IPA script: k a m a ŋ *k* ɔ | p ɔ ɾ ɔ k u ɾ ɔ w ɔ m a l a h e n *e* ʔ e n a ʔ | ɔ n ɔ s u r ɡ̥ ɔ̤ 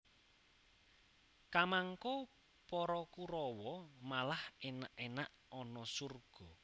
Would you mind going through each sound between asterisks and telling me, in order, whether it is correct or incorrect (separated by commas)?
correct, incorrect